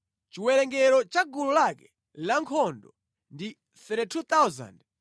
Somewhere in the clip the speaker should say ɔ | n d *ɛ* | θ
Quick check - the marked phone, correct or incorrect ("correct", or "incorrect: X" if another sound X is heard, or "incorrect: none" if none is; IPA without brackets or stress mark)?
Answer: incorrect: i